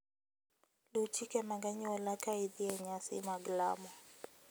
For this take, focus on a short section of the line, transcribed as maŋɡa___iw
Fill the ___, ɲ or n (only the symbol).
ɲ